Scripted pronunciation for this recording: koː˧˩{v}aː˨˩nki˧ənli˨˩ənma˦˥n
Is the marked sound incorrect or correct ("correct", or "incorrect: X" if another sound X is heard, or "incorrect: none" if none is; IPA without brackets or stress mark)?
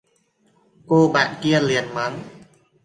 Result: incorrect: b